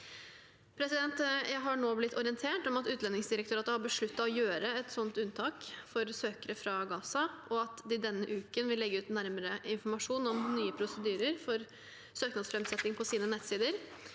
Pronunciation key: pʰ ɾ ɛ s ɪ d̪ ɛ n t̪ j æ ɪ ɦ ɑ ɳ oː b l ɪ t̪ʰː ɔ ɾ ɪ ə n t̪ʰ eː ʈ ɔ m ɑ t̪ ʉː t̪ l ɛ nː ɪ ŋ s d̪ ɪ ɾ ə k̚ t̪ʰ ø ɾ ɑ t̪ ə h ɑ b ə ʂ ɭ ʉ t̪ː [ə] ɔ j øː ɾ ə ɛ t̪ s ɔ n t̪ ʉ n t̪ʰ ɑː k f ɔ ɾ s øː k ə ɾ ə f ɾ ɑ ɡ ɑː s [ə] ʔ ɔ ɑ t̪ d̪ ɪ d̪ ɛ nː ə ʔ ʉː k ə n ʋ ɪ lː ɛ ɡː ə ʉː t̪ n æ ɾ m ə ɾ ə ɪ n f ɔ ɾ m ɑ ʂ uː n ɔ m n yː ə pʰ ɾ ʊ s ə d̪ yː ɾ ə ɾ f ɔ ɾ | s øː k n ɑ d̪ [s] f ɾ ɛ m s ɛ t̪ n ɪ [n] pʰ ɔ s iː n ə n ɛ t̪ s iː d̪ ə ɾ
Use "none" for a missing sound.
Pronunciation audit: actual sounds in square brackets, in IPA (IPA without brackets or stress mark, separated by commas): ɑ, ɑ, s, ŋ